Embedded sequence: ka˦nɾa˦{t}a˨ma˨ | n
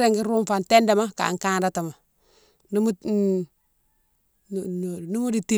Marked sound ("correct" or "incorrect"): correct